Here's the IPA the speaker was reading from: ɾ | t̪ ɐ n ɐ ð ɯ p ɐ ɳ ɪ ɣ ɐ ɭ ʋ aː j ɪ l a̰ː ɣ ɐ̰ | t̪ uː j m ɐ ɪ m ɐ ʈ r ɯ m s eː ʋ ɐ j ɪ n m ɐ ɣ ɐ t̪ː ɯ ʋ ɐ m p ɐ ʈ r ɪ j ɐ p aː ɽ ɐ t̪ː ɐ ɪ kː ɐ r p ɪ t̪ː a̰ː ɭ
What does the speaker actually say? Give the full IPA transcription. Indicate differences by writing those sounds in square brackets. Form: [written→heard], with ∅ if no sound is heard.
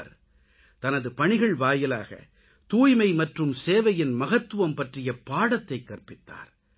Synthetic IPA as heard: ɾ | t̪ ɐ n ɐ ð ɯ p ɐ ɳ ɪ ɣ ɐ ɭ ʋ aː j ɪ l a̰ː ɣ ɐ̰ | t̪ uː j m ɐ ɪ m ɐ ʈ r ɯ m s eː ʋ ɐ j ɪ n m ɐ ɣ ɐ t̪ː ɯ ʋ ɐ m p ɐ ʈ r ɪ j ɐ p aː ɽ ɐ t̪ː ɐ ɪ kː ɐ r p ɪ t̪ː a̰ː [ɭ→ɾ]